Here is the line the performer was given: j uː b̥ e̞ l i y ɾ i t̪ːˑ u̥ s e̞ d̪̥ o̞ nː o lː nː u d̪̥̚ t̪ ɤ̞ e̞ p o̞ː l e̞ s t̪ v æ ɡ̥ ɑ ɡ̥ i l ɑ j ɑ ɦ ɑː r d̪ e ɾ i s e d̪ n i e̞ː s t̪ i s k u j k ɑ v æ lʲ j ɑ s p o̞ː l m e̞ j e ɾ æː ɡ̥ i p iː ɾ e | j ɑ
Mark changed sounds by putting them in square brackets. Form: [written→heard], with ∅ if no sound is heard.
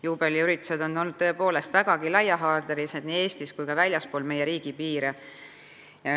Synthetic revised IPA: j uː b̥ e̞ l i y ɾ i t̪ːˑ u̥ s e̞ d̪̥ o̞ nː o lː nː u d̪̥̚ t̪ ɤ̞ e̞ p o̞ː l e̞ s t̪ v æ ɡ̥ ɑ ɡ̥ i l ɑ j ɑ ɦ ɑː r d̪ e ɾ i s e d̪ n i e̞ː s t̪ i s k u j k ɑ v æ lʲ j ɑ s p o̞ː l m e̞ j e ɾ [æː→iː] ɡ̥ i p iː ɾ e | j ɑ